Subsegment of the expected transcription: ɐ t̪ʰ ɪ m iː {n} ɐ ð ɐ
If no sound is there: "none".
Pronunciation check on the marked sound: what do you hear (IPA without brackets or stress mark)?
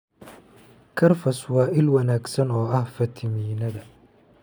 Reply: n